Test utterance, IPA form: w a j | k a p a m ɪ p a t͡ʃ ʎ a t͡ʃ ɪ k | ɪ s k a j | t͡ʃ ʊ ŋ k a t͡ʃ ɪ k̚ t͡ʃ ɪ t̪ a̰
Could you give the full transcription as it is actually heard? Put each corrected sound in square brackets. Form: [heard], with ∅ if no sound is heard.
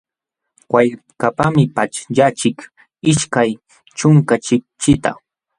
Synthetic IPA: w a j | k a p a m ɪ p a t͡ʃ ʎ a t͡ʃ ɪ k | ɪ [ʃ] k a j | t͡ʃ ʊ ŋ k a t͡ʃ ɪ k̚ t͡ʃ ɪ t̪ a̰